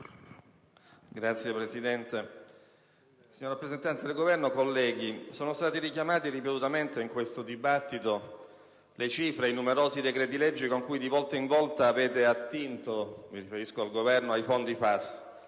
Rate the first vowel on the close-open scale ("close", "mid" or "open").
open